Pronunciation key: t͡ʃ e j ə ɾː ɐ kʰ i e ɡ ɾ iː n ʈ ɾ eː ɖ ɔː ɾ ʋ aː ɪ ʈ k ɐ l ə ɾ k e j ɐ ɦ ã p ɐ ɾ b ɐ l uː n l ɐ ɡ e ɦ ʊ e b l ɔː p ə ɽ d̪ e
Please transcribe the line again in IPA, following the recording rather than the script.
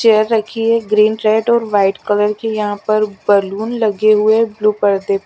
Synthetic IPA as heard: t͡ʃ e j ə ɾː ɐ kʰ i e ɡ ɾ iː n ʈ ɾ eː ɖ ɔː ɾ ʋ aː ɪ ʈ k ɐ l ə ɾ k e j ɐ ɦ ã p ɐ ɾ b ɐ l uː n l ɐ ɡ e ɦ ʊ e b l uː p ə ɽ d̪ e